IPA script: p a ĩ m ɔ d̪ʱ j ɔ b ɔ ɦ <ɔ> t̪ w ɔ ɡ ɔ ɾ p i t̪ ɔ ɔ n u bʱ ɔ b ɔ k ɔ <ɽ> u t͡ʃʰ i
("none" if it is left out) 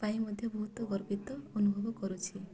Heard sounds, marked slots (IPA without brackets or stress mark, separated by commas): u, ɾ